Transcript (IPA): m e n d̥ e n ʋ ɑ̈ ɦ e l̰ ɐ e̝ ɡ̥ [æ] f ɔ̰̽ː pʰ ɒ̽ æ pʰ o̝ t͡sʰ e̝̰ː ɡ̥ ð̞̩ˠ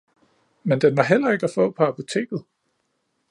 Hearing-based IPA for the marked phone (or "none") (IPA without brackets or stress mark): æ